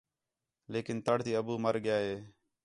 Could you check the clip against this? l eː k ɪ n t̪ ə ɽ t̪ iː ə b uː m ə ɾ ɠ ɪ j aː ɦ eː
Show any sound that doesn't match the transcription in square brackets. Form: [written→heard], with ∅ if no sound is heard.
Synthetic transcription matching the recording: l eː k ɪ n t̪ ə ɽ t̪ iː ə b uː m ə ɾ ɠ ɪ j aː ɦ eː